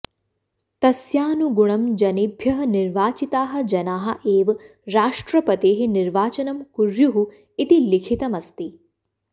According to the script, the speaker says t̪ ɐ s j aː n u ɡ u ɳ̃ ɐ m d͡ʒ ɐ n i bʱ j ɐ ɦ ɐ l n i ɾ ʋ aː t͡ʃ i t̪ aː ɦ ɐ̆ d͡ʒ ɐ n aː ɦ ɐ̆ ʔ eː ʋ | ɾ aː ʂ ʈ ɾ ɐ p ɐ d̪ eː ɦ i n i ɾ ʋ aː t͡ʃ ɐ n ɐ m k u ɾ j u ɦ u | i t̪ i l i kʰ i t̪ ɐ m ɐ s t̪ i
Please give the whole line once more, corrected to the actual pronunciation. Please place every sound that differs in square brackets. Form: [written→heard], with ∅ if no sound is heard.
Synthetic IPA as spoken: t̪ ɐ s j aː n u ɡ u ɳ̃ ɐ m d͡ʒ ɐ n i bʱ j ɐ ɦ ɐ [l→∅] n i ɾ ʋ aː t͡ʃ i t̪ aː ɦ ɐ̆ d͡ʒ ɐ n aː ɦ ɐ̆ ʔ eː ʋ | ɾ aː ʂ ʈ ɾ ɐ p ɐ [d̪→t̪] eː ɦ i n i ɾ ʋ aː t͡ʃ ɐ n ɐ m k u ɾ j u ɦ u | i t̪ i l i kʰ i t̪ ɐ m ɐ s t̪ i